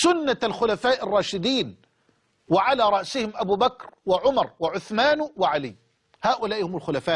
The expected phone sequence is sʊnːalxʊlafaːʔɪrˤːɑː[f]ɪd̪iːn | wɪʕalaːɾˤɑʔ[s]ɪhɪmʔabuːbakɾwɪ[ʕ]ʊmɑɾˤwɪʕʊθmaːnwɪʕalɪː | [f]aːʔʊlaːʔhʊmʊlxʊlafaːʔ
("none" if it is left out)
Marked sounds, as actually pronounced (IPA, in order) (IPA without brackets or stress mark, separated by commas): ʃ, s, ʕ, h